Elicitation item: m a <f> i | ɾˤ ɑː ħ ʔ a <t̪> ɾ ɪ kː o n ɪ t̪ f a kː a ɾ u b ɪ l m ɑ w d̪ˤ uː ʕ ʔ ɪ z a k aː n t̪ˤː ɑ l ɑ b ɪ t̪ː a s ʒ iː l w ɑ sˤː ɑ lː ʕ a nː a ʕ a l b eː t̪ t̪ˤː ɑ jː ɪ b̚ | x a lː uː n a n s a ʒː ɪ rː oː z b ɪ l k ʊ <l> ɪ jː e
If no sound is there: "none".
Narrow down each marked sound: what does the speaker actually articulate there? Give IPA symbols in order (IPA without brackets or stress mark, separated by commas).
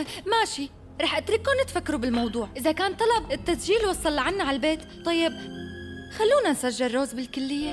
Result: ʃ, t̪, lː